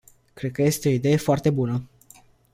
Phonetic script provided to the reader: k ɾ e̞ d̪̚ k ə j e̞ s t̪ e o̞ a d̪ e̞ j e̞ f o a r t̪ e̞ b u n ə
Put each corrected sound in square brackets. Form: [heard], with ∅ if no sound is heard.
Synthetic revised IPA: k ɾ e̞ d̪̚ k ə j e̞ s t̪ e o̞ [i] d̪ e̞ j e̞ f o a r t̪ e̞ b u n ə

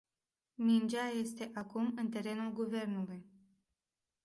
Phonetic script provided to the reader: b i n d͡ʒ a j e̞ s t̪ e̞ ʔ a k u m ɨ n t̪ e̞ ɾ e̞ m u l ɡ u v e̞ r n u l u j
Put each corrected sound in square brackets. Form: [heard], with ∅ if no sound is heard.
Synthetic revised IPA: [m] i n d͡ʒ a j e̞ s t̪ e̞ ʔ a k u m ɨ n t̪ e̞ ɾ e̞ [n] u l ɡ u v e̞ r n u l u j

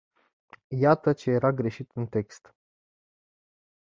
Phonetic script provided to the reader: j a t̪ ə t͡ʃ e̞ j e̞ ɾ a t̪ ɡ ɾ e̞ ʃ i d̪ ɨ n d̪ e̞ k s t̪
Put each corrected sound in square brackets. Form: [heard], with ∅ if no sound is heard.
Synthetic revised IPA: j a t̪ ə t͡ʃ e̞ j e̞ ɾ a [∅] ɡ ɾ e̞ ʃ i [t̪] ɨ n [t̪] e̞ k s t̪

